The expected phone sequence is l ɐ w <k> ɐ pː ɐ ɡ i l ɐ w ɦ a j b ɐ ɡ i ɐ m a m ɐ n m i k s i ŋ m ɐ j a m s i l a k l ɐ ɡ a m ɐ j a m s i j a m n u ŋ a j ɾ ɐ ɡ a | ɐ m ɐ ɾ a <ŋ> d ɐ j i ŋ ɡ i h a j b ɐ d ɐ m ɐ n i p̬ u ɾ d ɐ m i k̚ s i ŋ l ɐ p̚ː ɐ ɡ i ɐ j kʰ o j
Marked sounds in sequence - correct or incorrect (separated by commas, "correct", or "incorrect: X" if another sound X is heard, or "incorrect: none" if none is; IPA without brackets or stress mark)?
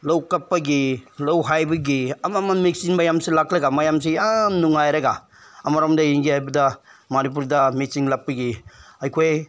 correct, incorrect: m